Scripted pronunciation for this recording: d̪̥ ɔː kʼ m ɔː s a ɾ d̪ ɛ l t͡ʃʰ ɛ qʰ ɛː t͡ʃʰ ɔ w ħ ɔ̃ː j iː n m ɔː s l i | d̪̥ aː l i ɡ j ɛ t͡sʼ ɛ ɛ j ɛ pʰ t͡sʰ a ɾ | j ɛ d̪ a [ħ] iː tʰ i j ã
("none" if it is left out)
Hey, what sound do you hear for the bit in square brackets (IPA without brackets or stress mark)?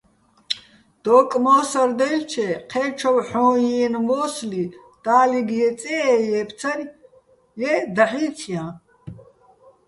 ħ